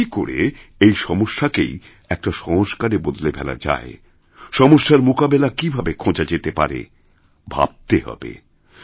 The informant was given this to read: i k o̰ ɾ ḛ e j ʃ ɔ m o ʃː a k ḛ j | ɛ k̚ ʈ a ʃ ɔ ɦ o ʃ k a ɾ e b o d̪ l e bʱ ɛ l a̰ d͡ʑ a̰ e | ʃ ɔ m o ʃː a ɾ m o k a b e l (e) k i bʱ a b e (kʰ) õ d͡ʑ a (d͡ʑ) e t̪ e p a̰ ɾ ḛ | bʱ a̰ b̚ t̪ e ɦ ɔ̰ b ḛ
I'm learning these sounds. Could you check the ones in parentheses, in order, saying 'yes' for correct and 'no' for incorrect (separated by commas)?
no, yes, yes